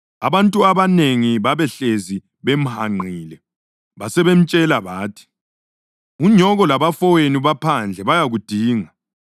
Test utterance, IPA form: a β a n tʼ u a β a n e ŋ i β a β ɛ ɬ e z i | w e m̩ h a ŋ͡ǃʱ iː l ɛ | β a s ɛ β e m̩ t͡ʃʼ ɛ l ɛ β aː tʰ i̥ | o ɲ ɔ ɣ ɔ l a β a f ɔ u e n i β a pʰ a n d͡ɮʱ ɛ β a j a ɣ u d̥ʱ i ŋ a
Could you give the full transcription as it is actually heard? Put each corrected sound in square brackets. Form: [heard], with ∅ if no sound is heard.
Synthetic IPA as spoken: a β a n tʼ u a β a n e ŋ i β a β ɛ ɬ e z i | [β] e m̩ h a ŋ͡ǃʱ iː l ɛ | β a s ɛ β e m̩ t͡ʃʼ ɛ l [a] β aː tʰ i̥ | [u] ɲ ɔ ɣ ɔ l a β a f ɔ [w] e n i β a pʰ a n d͡ɮʱ ɛ β a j a ɣ u d̥ʱ [iː] ŋ a

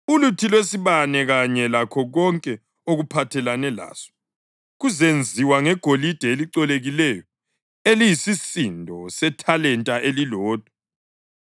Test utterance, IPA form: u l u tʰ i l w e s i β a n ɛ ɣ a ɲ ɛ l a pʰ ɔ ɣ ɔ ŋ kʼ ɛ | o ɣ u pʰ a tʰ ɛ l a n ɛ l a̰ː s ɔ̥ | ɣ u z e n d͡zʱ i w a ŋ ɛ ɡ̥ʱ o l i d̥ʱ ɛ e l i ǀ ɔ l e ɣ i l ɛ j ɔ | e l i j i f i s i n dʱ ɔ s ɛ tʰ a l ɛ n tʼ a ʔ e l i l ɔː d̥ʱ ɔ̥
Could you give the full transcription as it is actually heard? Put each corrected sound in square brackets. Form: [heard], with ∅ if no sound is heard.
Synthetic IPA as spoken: u l u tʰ i l w e s i β a n ɛ ɣ a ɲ ɛ l a [kʰ] ɔ ɣ ɔ ŋ kʼ ɛ | o ɣ u pʰ a tʰ ɛ l a n ɛ l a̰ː s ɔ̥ | ɣ u z e n d͡zʱ i w a ŋ ɛ ɡ̥ʱ o l i d̥ʱ ɛ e l i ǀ ɔ l e ɣ i l ɛ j ɔ | e l i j i [s] i s i n dʱ ɔ s ɛ tʰ a l ɛ n tʼ a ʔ e l i l ɔː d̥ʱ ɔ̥

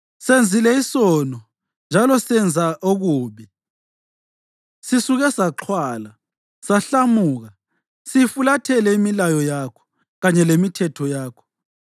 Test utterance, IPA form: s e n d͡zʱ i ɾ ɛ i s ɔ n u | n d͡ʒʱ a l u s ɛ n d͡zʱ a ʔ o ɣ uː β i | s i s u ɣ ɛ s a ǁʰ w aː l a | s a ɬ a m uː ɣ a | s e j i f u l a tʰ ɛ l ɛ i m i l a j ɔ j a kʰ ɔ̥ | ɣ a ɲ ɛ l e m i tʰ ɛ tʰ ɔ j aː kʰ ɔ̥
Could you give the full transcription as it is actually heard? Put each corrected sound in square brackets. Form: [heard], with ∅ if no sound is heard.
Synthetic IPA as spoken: s e n d͡zʱ i [l] ɛ i s ɔ n [ɔ] | n d͡ʒʱ a l [ɔ] s ɛ n d͡zʱ a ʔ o ɣ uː β i | s i s u ɣ ɛ s a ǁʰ w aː l a | s a ɬ a m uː ɣ a | s [i] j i f u l a tʰ ɛ l ɛ i m i l a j ɔ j a kʰ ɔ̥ | ɣ a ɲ ɛ l e m i tʰ ɛ tʰ ɔ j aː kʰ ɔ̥

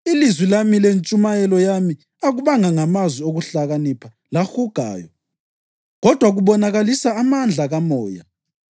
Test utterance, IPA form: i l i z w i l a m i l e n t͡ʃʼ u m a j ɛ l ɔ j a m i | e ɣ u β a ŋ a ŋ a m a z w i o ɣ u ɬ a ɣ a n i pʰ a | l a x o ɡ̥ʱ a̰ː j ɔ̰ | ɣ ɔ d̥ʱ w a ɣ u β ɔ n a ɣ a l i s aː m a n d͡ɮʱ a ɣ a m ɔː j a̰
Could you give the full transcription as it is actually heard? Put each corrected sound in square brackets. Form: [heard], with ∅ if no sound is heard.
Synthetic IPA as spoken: i l i z w i l a m i l e n t͡ʃʼ u m a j ɛ l ɔ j a m i | [a] ɣ u β a ŋ a ŋ a m a z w i o ɣ u ɬ a ɣ a n i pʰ a | l a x [u] ɡ̥ʱ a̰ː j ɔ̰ | ɣ ɔ d̥ʱ w a ɣ u β ɔ n a ɣ a l i s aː m a n d͡ɮʱ a ɣ a m ɔː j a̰

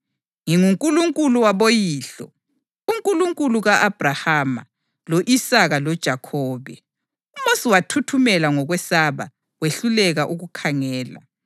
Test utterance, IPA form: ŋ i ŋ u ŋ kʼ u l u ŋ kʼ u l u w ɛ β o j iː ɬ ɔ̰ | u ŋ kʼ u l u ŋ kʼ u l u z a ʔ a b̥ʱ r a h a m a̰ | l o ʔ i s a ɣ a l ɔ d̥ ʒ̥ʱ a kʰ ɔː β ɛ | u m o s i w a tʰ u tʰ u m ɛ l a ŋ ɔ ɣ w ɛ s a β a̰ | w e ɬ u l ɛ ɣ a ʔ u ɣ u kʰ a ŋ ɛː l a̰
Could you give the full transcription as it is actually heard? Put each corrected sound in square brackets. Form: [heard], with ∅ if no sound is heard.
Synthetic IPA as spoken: ŋ i ŋ u ŋ kʼ u l u ŋ kʼ u l u w [a] β o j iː ɬ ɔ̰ | u ŋ kʼ u l u ŋ kʼ u l u [ɣ] a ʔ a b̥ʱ r a h a m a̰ | l o ʔ i s a ɣ a l ɔ d̥ ʒ̥ʱ a kʰ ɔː β ɛ | u m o s i w a tʰ u tʰ u m ɛ l a ŋ ɔ ɣ w ɛ s a β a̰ | w e ɬ u l ɛ ɣ a ʔ u ɣ u kʰ a ŋ ɛː l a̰

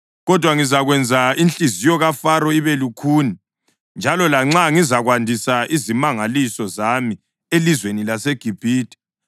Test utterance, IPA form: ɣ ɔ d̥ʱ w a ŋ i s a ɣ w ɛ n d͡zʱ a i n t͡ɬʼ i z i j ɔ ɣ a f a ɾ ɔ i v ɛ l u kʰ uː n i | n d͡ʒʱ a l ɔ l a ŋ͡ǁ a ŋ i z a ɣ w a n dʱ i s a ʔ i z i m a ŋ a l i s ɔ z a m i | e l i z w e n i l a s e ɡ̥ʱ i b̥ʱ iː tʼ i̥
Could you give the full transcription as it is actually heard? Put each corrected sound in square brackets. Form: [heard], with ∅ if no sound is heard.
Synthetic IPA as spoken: ɣ ɔ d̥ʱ w a ŋ i [z] a ɣ w ɛ n d͡zʱ a i n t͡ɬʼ i z i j ɔ ɣ a f a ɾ ɔ i [β] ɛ l u kʰ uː n i | n d͡ʒʱ a l ɔ l a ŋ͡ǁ a ŋ i z a ɣ w a n dʱ i s a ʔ i z i m a ŋ a l i s ɔ z a m i | e l i z w e n i l a s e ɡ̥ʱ i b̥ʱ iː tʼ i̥

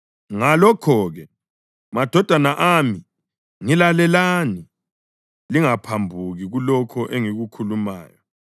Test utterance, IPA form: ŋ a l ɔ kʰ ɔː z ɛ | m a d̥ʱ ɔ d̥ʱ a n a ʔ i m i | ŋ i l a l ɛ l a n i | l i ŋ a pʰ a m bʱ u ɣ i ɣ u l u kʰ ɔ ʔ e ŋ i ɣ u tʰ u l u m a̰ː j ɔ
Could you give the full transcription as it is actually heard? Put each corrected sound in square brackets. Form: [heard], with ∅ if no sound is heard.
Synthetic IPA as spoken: ŋ a l ɔ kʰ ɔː [ɣ] ɛ | m a d̥ʱ ɔ d̥ʱ a n a ʔ [a] m i | ŋ i l a l ɛ l a n i | l i ŋ a pʰ a m bʱ u ɣ i ɣ u l [ɔ] kʰ ɔ ʔ e ŋ i ɣ u [kʰ] u l u m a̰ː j ɔ

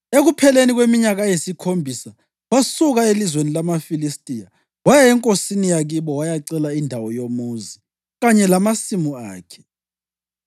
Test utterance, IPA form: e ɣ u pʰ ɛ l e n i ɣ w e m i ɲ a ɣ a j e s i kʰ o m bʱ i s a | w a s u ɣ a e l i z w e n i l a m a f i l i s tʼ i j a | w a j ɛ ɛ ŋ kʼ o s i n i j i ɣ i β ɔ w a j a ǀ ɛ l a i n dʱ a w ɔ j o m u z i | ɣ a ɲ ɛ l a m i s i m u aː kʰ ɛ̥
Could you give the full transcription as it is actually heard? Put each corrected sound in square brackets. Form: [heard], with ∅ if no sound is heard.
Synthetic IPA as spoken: e ɣ u pʰ ɛ l e n i ɣ w e m i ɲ a ɣ a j e s i kʰ o m bʱ i s a | w a s u ɣ a e l i z w e n i l a m a f i l i s tʼ i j a | w a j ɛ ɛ ŋ kʼ o s i n i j [a] ɣ i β ɔ w a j a ǀ ɛ l a i n dʱ a w ɔ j o m u z i | ɣ a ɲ ɛ l a m [a] s i m u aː kʰ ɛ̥

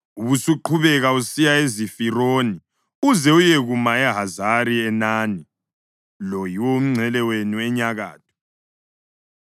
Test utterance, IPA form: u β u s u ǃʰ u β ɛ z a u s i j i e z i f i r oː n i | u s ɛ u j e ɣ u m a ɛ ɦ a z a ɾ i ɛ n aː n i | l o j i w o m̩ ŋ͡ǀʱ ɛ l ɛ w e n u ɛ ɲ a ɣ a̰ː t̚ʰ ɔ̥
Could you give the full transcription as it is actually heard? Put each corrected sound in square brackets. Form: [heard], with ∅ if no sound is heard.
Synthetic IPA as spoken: u β u s u ǃʰ u β ɛ [ɣ] a u s i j [a] e z i f i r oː n i | u [z] ɛ u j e ɣ u m a ɛ ɦ a z a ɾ i ɛ n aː n i | l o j i w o m̩ ŋ͡ǀʱ ɛ l ɛ w e n u ɛ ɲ a ɣ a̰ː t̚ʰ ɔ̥

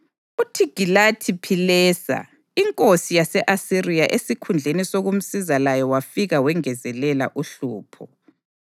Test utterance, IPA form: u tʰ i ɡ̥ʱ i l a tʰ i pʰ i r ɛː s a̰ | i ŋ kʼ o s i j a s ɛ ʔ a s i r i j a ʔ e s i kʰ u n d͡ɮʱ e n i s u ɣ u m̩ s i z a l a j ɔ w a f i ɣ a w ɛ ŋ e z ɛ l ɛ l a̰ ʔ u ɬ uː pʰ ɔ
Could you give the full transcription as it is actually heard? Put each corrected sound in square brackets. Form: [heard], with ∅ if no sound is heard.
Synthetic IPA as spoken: u tʰ i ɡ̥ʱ i l a tʰ i pʰ i [l] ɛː s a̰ | i ŋ kʼ o s i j a s ɛ ʔ a s i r i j a ʔ e s i kʰ u n d͡ɮʱ e n i s [o] ɣ u m̩ s i z a l a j ɔ w a f i ɣ a w ɛ ŋ [ɛ] z ɛ l ɛ l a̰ ʔ u ɬ uː pʰ ɔ

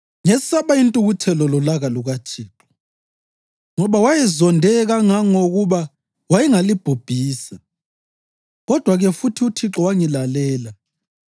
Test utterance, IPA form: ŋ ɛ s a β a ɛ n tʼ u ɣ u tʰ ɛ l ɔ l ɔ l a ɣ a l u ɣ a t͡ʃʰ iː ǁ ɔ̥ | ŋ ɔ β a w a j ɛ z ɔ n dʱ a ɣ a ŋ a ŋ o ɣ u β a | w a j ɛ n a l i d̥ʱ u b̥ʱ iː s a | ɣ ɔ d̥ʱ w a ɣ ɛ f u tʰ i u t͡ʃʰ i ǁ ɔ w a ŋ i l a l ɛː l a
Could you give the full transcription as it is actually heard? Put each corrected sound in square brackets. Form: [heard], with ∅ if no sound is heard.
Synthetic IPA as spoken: ŋ ɛ s a β a [i] n tʼ u ɣ u tʰ ɛ l ɔ l ɔ l a ɣ a l u ɣ a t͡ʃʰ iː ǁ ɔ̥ | ŋ ɔ β a w a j ɛ z ɔ n dʱ [ɛ] ɣ a ŋ a ŋ o ɣ u β a | w a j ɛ [ŋ] a l i [b̥ʱ] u b̥ʱ iː s a | ɣ ɔ d̥ʱ w a ɣ ɛ f u tʰ i u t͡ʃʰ i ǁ ɔ w a ŋ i l a l ɛː l a

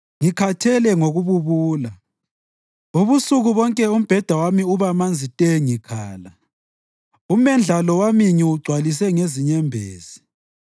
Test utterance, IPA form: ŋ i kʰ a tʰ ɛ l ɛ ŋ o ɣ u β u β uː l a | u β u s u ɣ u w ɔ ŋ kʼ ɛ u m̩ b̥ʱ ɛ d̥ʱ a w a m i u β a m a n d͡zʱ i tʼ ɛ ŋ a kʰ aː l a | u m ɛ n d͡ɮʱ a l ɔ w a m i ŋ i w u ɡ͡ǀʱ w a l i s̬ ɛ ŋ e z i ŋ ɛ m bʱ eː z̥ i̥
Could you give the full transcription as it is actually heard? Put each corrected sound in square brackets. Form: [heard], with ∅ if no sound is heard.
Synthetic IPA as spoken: ŋ i kʰ a tʰ ɛ l ɛ ŋ o ɣ u β u β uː l a | u β u s u ɣ u [β] ɔ ŋ kʼ ɛ u m̩ b̥ʱ ɛ d̥ʱ a w a m i u β a m a n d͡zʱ i tʼ ɛ ŋ [i] kʰ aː l a | u m ɛ n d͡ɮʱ a l ɔ w a m i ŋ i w u ɡ͡ǀʱ w a l i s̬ ɛ ŋ e z i [ɲ] ɛ m bʱ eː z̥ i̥

